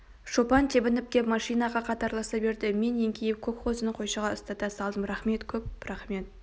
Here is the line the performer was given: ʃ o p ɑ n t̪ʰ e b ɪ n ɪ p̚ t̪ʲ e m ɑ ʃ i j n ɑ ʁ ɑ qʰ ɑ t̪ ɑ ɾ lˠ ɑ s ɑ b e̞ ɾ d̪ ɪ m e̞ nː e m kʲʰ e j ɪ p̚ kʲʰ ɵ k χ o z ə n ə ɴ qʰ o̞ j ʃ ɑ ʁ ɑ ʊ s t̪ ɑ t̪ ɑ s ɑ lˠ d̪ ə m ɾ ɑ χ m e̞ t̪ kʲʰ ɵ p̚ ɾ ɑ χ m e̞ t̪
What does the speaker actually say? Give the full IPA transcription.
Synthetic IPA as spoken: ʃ o p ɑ n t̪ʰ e b ɪ n ɪ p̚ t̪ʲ e m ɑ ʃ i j n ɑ ʁ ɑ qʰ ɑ t̪ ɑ ɾ lˠ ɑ s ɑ b e̞ ɾ d̪ ɪ m e̞ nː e ŋ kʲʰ e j ɪ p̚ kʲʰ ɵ k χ o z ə n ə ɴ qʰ o̞ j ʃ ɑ ʁ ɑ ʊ s t̪ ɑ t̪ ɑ s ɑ lˠ d̪ ə m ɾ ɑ χ m e̞ t̪ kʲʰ ɵ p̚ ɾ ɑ χ m e̞ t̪

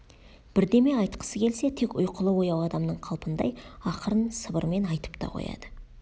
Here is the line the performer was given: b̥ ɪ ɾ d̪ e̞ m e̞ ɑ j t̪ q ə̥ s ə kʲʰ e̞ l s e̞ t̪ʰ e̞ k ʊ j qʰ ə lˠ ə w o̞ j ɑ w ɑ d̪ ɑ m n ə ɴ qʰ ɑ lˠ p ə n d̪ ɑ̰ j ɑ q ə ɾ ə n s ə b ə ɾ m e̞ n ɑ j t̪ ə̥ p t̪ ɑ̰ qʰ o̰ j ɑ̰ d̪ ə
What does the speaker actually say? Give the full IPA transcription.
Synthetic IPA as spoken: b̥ ɪ ɾ d̪ e̞ m e̞ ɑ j t̪ q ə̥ s ə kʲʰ e̞ l s e̞ t̪ʰ e̞ k ʊ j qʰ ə lˠ ə w o̞ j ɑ w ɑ d̪ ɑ m n ə ɴ qʰ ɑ lˠ p ə n d̪ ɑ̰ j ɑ q ə ɾ ə n s ə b ə ɾ m e̞ n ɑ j t̪ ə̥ p t̪ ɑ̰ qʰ o̰ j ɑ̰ d̪ ə

